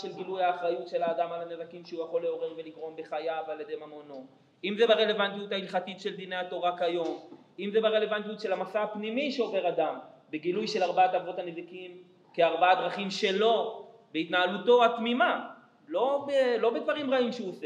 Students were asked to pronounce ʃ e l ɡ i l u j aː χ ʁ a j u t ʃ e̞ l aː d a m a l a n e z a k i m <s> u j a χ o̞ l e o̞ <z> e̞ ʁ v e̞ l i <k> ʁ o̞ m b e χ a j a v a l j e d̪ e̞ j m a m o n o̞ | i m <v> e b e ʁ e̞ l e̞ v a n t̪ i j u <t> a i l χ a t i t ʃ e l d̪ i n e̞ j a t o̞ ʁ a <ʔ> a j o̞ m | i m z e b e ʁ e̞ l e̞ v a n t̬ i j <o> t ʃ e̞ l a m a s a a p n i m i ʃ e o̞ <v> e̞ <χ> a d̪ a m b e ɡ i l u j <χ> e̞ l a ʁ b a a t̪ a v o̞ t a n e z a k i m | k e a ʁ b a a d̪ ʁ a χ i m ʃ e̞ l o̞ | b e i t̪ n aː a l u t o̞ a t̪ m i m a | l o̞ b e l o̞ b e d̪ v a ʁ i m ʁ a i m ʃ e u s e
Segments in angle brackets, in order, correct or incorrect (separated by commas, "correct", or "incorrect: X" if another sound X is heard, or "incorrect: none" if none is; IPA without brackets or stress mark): incorrect: ʃ, incorrect: ʁ, incorrect: ɡ, incorrect: z, correct, incorrect: k, incorrect: u, correct, incorrect: ʁ, incorrect: ʃ